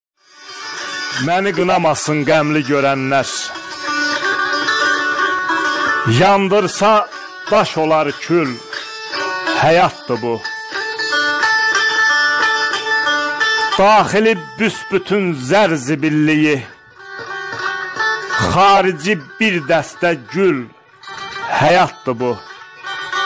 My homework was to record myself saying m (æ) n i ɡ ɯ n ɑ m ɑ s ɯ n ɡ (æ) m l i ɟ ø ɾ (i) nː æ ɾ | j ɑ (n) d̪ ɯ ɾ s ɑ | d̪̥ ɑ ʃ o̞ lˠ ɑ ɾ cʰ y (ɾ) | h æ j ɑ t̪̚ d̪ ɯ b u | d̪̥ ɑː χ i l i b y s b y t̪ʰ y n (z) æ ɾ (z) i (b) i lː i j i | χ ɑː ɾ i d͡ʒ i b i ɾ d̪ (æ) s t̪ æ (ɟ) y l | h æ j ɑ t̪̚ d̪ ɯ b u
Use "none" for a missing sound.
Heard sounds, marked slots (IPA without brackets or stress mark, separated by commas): æ, æ, æ, n, l, z, z, b, æ, ɟ